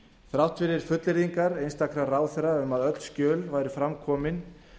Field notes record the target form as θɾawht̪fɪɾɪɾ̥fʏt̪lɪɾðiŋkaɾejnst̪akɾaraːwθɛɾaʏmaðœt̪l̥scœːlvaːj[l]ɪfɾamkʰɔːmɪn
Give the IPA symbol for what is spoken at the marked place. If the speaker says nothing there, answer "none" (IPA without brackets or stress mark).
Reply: ɾ